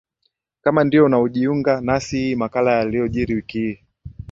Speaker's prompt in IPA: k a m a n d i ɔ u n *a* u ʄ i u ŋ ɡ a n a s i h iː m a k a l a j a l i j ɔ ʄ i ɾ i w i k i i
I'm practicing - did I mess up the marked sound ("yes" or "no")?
no